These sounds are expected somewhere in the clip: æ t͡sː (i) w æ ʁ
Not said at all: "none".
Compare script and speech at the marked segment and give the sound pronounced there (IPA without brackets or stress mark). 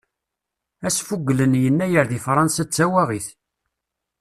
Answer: æ